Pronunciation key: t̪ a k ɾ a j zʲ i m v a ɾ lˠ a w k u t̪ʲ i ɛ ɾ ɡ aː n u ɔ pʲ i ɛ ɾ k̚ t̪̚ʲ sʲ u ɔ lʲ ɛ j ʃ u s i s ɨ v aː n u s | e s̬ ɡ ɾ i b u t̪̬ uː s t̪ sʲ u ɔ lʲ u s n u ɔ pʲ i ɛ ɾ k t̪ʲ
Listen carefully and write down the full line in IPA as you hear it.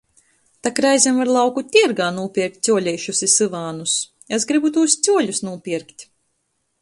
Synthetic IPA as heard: t̪ a k ɾ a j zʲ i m v a ɾ lˠ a w k u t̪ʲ i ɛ ɾ ɡ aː n u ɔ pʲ i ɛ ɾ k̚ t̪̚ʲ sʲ u ɔ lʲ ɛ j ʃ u s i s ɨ v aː n u s | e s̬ ɡ ɾ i b u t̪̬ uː s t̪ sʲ u ɔ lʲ u s n u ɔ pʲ i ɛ ɾ k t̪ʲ

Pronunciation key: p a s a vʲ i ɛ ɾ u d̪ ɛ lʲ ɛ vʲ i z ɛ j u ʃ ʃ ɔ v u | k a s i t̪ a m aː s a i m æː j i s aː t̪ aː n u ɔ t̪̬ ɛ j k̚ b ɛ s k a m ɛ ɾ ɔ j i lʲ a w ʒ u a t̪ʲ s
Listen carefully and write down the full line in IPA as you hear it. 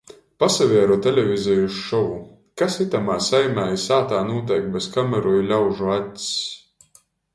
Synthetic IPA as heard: p a s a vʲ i ɛ ɾ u t̪ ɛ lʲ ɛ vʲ i z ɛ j u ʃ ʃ ɔ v u | k a s i t̪ a m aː s a j m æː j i s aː t̪ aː n u ɔ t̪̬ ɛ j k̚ b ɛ s k a m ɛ ɾ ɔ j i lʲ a w ʒ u a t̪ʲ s

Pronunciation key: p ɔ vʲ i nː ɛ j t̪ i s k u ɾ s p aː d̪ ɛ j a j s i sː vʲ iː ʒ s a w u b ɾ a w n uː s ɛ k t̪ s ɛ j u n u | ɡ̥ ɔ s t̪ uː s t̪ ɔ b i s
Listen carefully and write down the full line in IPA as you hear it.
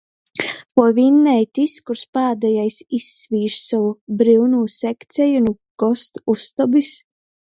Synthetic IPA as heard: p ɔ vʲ i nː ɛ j t̪ i s k u ɾ s p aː d̪ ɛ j a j s i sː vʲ iː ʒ s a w u b ɾ i w n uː s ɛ k t̪ s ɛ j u n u | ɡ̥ ɔ s t̪ u s t̪ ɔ b i s

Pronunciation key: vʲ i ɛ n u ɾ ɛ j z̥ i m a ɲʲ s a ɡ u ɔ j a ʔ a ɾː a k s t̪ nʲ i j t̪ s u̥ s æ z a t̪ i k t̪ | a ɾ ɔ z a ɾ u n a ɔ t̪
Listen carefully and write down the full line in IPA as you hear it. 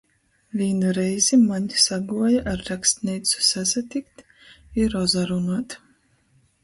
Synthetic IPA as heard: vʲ i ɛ n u ɾ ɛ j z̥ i m a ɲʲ s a ɡ u ɔ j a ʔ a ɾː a k s t̪ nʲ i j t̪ s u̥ s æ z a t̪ i k t̪ | i ɾ ɔ z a ɾ u n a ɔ t̪

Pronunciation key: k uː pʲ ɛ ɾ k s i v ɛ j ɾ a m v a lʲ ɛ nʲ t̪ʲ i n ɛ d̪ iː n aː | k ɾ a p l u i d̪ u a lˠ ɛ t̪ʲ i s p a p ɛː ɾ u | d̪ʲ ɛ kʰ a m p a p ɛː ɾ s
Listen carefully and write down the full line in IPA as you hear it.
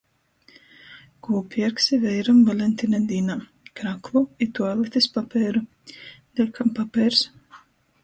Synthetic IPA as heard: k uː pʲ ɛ ɾ k s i v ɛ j ɾ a m v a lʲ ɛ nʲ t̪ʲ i n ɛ d̪ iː n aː | k ɾ a k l u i t̪ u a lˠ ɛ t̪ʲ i s p a p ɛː ɾ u | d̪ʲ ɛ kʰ a m p a p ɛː ɾ s

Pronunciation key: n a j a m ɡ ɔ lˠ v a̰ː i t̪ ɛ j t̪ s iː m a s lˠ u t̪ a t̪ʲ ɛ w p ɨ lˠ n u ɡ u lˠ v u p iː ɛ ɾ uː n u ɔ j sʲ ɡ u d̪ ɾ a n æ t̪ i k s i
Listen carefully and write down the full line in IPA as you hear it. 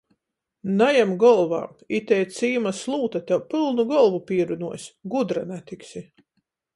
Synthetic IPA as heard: n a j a m ɡ ɔ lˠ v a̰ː i t̪ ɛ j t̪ s iː m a s lˠ uː t̪ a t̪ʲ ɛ w p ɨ lˠ n u ɡ ɔ lˠ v u p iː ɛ ɾ u n u ɔ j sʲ ɡ u d̪ ɾ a n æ t̪ i k s i

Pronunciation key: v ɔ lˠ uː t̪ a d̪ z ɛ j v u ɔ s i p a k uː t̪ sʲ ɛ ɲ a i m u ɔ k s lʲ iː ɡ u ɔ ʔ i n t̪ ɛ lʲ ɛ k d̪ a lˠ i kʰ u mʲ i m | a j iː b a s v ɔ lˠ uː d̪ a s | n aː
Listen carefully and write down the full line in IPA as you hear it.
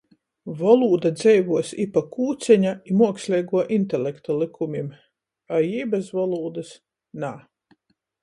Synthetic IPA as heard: v ɔ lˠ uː d̪ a d̪ z ɛ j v u ɔ s i p a k uː t̪ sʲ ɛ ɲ a i m u ɔ k s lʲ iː ɡ u ɔ ʔ i n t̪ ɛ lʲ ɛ k t̪ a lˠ i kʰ u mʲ i m | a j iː b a s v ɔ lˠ uː d̪ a s | n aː

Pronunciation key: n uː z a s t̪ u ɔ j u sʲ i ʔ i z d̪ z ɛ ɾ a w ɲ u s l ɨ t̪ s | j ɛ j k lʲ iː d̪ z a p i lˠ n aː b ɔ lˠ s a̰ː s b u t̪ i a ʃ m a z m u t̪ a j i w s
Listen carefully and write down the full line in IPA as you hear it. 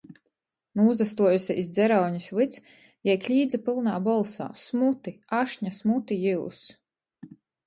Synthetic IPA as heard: n uː z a s t̪ u ɔ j u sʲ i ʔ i z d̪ z ɛ ɾ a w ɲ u s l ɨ t̪ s | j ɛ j k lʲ iː d̪ z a p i lˠ n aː b ɔ lˠ s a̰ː s m u t̪ i a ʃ ɲ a s m u t̪ i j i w s

